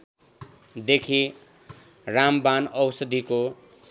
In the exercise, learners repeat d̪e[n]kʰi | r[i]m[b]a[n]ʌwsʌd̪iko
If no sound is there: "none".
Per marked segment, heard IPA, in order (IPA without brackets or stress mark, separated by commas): none, a, b, n